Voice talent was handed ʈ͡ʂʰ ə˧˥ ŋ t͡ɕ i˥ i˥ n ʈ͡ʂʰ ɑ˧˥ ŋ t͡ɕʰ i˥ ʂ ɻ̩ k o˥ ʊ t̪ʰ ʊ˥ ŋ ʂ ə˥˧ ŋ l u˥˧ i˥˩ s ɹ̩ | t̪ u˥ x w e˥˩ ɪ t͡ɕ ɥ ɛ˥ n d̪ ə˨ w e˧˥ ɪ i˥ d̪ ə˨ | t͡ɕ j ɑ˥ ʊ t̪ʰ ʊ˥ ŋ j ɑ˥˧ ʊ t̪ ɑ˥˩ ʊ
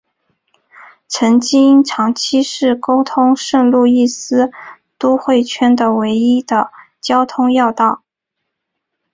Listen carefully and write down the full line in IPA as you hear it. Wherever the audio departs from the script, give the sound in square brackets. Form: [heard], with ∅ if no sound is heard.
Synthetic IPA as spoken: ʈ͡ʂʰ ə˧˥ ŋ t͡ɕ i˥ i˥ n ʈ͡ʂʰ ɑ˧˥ ŋ t͡ɕʰ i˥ ʂ ɻ̩ k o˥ ʊ t̪ʰ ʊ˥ ŋ ʂ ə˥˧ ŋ l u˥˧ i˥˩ s ɹ̩ | t̪ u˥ x w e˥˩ ɪ [t͡ɕʰ] ɥ ɛ˥ n d̪ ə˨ w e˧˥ ɪ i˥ d̪ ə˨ | t͡ɕ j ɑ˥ ʊ t̪ʰ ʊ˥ ŋ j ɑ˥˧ ʊ t̪ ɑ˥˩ ʊ